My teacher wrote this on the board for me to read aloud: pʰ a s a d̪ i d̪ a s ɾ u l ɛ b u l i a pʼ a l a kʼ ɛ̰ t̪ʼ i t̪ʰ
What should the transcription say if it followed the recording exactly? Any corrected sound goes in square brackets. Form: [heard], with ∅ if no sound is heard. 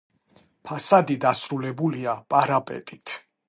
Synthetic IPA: pʰ a s a d̪ i d̪ a s ɾ u l ɛ b u l i a pʼ a [ɾ] a [pʼ] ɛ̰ t̪ʼ i t̪ʰ